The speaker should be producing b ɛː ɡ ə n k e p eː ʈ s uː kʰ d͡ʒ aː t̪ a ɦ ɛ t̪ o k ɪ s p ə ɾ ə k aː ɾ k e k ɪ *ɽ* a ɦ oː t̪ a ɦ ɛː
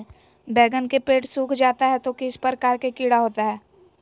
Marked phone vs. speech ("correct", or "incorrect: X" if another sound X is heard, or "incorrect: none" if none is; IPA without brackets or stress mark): correct